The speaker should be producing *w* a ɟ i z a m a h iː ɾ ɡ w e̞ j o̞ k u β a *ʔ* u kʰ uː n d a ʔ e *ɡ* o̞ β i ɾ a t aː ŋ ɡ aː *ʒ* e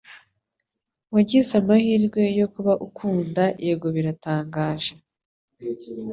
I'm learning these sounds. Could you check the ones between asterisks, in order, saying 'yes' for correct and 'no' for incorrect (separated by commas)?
yes, yes, yes, yes